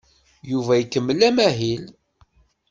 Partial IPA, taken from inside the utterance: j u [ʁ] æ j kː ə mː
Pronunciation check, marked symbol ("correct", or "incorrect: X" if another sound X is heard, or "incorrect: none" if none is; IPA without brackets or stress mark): incorrect: v